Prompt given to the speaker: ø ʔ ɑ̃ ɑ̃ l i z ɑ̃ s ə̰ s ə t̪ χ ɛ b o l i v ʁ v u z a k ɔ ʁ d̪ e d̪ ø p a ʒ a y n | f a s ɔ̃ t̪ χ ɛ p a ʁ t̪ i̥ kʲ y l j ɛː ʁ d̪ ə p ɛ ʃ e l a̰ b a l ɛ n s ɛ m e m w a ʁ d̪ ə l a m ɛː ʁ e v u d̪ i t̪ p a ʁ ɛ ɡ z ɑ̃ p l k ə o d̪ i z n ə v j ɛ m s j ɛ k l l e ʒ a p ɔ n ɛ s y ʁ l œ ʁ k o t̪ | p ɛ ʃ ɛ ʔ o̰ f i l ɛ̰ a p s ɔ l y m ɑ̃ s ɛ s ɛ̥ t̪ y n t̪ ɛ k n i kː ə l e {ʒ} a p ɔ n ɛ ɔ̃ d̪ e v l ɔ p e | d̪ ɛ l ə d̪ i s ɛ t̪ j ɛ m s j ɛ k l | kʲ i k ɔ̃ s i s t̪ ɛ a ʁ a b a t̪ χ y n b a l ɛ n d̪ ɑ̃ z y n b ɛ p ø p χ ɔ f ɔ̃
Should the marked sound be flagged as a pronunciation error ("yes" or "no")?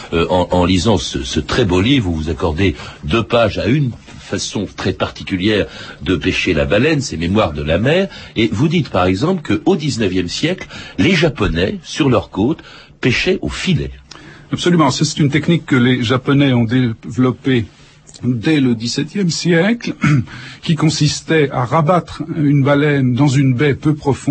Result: no